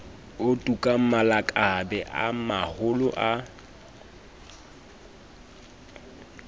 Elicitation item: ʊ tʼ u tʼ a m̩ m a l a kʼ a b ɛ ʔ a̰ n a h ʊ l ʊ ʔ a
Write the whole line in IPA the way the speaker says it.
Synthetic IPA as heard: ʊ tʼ u kʼ a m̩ m a l a kʼ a b ɛ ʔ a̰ m a h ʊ l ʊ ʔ a